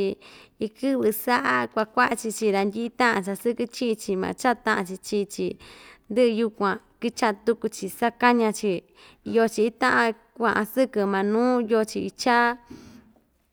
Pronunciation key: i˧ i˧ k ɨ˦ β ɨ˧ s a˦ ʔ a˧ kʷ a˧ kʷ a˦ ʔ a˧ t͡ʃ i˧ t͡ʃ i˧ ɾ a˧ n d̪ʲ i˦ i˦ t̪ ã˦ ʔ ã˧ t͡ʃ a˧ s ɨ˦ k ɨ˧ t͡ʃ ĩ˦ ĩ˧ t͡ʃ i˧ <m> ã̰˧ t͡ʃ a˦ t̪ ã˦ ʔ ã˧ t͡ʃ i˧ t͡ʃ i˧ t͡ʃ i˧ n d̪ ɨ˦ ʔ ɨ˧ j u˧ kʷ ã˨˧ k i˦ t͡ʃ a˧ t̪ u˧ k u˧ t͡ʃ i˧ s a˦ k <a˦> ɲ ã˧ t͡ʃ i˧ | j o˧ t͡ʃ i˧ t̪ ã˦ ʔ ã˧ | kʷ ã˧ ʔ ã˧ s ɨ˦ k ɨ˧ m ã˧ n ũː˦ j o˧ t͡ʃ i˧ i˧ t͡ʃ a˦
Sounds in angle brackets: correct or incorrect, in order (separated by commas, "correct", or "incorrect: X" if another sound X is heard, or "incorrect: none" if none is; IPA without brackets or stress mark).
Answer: correct, correct